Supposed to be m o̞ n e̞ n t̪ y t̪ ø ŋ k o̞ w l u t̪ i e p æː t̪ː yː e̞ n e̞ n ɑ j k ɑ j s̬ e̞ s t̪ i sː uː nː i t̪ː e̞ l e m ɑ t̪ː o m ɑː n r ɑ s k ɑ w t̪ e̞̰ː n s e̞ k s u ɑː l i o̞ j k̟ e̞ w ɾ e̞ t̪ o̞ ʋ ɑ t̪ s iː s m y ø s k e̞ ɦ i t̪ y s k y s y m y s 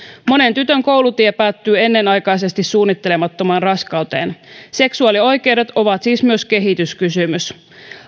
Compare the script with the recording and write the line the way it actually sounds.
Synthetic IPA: m o̞ n e̞ n t̪ y t̪ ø ŋ k o̞ w l u t̪ i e p æː t̪ː yː e̞ nː e̞ n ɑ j k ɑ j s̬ e̞ s t̪ i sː uː nː i t̪ː e̞ l e m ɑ t̪ː o m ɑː n r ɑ s k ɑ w t̪ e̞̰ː n s e̞ k s u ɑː l i o̞ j k̟ e̞ w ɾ e̞ t̪ o̞ ʋ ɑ t̪ s iː s m y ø s k e̞ ɦ i t̪ y s k y s y m y s